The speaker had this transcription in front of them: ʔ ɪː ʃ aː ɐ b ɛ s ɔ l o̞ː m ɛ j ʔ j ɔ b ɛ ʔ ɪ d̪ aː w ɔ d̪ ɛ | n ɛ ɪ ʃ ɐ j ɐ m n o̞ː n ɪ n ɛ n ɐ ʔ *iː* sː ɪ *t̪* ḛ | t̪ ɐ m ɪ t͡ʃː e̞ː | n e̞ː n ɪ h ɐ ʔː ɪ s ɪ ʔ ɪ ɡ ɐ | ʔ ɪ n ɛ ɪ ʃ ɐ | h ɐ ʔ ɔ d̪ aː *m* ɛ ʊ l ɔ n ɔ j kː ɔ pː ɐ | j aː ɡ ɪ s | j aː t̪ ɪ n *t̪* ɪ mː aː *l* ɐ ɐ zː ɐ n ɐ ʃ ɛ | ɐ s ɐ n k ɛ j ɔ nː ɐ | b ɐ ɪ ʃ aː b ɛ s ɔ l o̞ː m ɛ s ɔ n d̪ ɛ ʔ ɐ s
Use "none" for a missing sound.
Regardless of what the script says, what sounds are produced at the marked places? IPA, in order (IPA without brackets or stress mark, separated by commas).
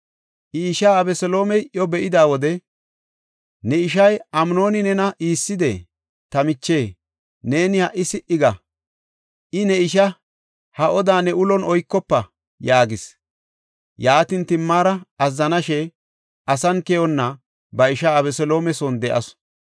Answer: iː, d̪, n, t̪, ɾ